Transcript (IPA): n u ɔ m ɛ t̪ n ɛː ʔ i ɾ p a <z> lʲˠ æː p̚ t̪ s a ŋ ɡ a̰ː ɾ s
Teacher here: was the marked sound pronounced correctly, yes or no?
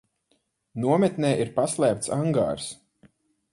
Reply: no